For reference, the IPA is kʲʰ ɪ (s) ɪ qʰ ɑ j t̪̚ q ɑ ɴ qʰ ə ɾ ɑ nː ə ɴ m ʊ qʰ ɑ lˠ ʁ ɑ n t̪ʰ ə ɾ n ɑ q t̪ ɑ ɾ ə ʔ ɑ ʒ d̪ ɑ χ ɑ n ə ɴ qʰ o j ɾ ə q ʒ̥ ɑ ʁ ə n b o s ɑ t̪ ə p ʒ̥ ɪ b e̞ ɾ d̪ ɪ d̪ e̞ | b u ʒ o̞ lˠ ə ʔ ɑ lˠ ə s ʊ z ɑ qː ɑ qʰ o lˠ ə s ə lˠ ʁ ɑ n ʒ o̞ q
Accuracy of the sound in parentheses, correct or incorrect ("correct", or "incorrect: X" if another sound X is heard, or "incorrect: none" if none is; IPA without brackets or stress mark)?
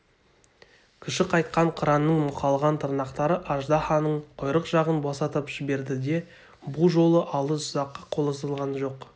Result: incorrect: ʃ